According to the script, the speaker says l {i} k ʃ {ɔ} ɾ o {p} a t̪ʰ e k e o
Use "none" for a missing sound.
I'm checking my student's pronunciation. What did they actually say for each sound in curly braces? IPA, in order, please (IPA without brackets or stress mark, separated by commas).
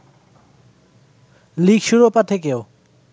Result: i, u, p